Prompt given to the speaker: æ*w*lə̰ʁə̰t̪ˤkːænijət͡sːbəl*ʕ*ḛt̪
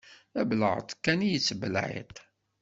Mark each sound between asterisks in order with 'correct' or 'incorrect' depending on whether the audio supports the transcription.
incorrect: b, correct

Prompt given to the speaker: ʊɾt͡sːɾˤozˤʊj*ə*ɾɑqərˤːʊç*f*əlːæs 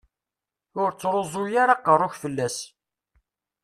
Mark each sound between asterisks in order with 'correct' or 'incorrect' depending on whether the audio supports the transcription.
incorrect: a, correct

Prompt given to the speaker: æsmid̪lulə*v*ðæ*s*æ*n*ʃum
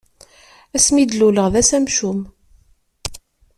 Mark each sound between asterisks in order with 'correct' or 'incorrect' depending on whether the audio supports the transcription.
incorrect: ʁ, correct, incorrect: m

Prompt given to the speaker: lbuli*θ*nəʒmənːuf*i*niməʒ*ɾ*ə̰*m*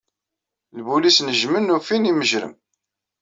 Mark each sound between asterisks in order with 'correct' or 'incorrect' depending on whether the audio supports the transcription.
incorrect: s, correct, correct, correct

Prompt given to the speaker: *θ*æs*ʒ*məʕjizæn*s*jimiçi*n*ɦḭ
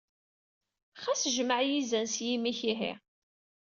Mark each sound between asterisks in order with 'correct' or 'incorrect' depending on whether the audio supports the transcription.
incorrect: χ, correct, correct, incorrect: none

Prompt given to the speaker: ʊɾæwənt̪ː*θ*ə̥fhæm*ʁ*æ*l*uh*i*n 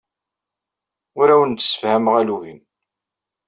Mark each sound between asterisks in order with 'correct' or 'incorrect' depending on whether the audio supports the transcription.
incorrect: s, correct, correct, correct

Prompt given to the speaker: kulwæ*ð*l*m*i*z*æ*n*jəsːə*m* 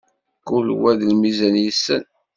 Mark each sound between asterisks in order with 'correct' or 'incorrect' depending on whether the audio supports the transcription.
correct, correct, correct, correct, incorrect: n

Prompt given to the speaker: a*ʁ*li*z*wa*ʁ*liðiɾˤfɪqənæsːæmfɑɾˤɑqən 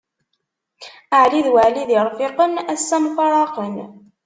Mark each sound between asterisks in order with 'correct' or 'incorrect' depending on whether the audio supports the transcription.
incorrect: ʕ, incorrect: ð, incorrect: ʕ

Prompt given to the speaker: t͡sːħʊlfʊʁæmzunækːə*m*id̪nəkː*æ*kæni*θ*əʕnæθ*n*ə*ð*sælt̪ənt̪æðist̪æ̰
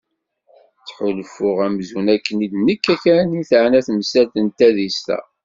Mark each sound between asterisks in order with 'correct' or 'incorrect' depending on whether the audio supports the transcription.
incorrect: n, correct, correct, incorrect: m, incorrect: none

